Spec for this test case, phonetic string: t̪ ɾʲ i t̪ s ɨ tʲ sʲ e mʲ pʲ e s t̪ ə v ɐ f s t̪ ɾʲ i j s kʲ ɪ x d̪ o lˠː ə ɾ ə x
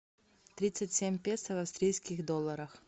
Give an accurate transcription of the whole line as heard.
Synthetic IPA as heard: t̪ ɾʲ i t̪ s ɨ tʲ sʲ e mʲ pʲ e s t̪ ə v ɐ f s t̪ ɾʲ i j s kʲ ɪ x d̪ o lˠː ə ɾ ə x